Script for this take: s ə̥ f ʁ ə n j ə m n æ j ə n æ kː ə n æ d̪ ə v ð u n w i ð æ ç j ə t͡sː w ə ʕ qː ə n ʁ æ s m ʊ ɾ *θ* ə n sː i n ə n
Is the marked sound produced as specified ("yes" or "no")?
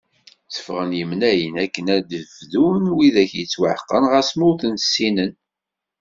yes